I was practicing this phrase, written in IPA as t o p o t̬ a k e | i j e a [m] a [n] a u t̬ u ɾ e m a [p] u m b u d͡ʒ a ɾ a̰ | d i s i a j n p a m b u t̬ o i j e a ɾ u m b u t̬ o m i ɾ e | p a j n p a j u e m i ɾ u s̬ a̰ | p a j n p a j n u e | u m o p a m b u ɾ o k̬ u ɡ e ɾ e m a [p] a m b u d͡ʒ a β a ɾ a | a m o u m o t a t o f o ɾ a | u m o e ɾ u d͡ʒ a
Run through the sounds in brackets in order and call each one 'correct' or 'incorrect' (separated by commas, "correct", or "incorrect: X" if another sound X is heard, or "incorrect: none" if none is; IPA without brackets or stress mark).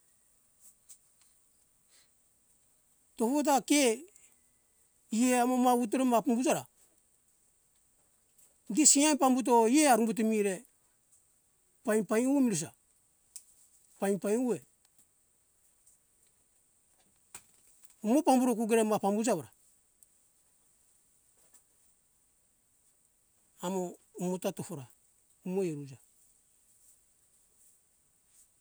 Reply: correct, incorrect: m, correct, correct